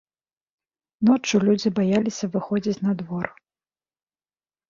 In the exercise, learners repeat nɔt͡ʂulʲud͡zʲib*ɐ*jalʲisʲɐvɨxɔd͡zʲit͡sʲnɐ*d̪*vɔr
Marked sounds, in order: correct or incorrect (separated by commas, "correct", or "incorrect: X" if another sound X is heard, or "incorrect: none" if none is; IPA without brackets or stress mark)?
incorrect: a, correct